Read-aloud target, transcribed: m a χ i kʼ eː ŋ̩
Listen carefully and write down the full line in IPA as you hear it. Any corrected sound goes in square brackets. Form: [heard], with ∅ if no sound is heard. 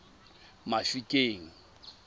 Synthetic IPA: m a [f] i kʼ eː ŋ̩